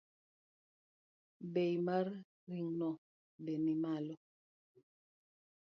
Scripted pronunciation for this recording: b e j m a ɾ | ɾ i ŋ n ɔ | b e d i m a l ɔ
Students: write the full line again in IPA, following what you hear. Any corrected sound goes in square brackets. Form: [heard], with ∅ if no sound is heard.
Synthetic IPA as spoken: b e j m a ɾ | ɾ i ŋ n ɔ | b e [n] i m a l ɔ